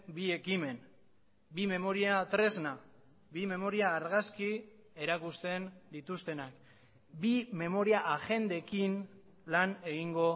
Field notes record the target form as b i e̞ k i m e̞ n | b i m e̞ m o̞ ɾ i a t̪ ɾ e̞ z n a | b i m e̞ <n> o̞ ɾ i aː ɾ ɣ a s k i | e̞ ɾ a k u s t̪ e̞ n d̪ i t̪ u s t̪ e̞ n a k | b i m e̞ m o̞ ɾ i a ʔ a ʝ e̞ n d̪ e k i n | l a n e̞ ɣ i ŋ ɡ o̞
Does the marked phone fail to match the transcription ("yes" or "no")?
yes